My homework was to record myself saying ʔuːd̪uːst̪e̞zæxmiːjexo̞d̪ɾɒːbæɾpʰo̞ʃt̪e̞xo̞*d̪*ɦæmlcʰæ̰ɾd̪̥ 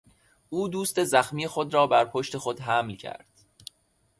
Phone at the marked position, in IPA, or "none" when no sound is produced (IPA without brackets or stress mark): d̪